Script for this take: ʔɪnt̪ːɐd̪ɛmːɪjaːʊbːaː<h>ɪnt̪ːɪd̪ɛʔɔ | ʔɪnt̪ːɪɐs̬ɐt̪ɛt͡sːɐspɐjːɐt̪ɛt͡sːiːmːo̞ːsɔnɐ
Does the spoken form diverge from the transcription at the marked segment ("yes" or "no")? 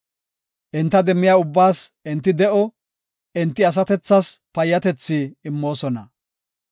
yes